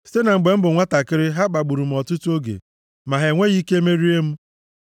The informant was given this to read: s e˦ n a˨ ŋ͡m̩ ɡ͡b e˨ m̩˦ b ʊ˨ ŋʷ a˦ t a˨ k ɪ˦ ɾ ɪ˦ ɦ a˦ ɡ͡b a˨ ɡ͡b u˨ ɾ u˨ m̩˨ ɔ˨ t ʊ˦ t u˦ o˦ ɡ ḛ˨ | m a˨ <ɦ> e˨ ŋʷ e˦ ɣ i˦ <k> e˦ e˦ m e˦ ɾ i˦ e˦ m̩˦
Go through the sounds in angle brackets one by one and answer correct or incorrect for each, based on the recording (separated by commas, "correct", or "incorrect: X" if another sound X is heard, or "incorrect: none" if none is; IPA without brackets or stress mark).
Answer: correct, correct